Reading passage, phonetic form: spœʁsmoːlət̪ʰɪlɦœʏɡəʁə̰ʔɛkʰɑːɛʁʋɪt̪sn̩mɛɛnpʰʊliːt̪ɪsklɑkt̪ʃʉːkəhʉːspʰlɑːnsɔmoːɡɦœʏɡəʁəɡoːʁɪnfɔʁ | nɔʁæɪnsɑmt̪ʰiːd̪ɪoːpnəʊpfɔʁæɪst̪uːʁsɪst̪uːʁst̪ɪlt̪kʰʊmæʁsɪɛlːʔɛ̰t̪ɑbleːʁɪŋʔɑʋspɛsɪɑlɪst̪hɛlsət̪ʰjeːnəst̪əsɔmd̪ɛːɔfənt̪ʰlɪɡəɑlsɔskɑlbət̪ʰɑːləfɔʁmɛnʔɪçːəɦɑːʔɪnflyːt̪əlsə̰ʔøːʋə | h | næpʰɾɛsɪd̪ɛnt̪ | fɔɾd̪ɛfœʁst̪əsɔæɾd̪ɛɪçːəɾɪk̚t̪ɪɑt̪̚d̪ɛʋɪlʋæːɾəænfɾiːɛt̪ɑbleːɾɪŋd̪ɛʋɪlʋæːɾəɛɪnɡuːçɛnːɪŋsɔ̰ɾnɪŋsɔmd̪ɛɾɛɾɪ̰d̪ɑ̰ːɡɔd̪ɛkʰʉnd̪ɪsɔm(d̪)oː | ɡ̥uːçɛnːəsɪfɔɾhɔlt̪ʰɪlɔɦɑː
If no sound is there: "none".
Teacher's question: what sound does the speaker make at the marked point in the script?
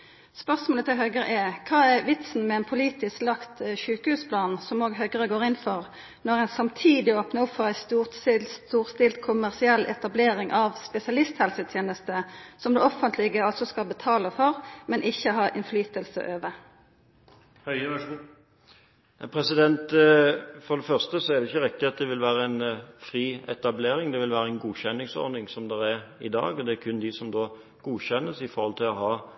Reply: d̪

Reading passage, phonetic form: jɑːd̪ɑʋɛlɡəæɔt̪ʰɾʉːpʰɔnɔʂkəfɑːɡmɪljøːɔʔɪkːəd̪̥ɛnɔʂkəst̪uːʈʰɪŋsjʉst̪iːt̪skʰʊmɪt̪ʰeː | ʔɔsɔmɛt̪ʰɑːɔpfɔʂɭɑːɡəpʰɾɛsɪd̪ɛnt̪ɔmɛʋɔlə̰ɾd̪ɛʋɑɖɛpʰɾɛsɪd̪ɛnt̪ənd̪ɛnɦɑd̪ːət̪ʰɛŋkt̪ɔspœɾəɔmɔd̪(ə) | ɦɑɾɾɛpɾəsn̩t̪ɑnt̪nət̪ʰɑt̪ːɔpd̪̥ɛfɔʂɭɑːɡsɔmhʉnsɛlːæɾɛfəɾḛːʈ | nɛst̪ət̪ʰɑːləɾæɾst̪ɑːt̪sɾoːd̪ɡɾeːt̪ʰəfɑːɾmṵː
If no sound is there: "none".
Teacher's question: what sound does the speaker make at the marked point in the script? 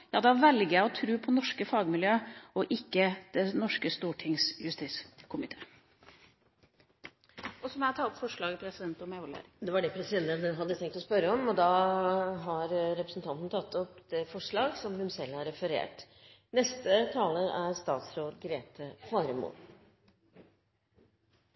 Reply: ɑ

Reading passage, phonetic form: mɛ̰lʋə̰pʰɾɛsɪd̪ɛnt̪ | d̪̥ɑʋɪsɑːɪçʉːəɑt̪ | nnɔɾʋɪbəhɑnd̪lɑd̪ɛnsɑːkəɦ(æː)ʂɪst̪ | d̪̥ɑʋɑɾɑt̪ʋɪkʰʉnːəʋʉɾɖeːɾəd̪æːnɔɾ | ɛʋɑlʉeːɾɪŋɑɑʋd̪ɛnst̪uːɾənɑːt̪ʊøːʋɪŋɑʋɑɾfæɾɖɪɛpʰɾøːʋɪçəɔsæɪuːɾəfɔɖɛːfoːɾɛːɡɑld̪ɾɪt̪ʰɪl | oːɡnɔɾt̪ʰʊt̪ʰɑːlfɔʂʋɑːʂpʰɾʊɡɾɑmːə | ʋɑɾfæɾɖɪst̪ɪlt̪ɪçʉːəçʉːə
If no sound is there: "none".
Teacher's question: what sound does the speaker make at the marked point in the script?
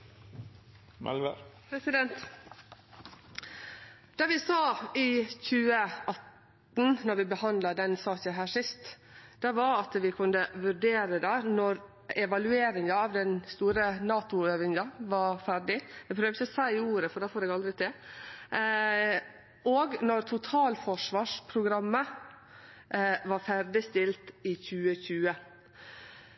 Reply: æː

